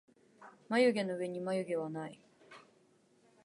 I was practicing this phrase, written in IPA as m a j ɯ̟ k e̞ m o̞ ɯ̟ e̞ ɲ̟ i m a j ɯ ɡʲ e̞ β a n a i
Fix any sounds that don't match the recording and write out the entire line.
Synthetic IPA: m a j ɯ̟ ɡ e̞ n o̞ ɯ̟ e̞ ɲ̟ i m a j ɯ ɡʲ e̞ β a n a i